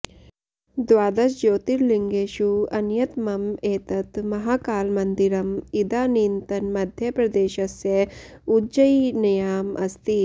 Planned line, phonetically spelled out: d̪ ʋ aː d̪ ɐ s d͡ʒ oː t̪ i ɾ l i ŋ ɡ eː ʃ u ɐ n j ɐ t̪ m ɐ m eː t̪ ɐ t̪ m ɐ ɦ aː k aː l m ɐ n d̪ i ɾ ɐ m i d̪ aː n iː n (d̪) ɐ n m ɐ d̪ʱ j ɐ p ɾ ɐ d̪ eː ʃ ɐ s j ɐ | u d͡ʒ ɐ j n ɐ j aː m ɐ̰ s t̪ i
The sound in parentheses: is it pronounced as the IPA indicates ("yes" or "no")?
no